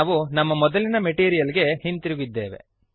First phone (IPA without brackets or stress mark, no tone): ʋ